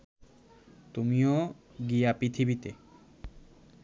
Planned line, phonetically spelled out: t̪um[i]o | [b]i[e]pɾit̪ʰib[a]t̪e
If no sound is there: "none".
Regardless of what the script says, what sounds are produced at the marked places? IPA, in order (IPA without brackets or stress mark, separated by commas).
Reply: i, ɡ, a, i